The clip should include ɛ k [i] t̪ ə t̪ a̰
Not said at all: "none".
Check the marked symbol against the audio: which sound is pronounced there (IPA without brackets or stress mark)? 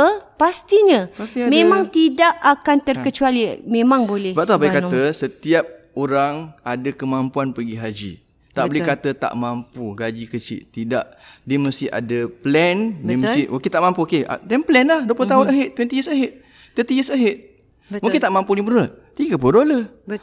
a